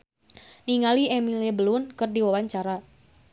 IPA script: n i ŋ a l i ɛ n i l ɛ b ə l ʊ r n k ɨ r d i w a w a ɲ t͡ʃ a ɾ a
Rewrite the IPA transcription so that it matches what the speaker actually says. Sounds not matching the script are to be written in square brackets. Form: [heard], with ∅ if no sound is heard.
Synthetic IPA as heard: n i ŋ a l i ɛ [m] i l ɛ b ə l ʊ [∅] n k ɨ r d i w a w a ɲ t͡ʃ a ɾ a